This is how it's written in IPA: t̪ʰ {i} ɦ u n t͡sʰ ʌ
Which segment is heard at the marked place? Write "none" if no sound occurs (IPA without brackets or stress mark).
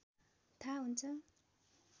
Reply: a